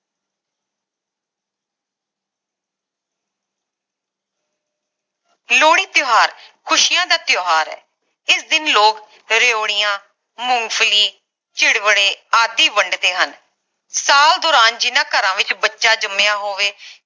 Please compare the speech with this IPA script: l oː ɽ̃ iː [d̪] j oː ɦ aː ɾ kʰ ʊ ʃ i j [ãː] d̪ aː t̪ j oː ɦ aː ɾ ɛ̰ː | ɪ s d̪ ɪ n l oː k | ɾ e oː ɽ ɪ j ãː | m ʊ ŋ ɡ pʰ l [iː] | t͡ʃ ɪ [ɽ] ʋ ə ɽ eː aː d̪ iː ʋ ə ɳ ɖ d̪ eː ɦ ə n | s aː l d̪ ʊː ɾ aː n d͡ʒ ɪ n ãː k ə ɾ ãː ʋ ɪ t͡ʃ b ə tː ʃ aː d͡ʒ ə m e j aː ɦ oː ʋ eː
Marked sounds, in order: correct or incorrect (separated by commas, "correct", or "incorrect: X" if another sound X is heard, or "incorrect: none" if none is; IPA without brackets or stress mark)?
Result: incorrect: t̪, correct, correct, correct